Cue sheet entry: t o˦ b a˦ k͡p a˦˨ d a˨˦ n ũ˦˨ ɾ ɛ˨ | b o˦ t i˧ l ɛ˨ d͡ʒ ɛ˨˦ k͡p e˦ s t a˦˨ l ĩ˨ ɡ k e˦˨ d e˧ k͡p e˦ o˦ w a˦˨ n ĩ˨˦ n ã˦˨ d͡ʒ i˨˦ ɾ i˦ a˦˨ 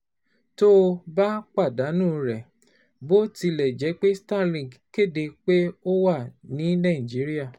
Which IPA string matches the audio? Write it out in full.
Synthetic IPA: t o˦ b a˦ k͡p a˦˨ d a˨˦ n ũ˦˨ ɾ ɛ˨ | b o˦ t i˧ l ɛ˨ d͡ʒ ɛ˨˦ k͡p e˦ s t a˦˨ l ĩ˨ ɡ k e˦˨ d e˧ k͡p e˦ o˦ w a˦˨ n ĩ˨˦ n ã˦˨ d͡ʒ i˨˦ ɾ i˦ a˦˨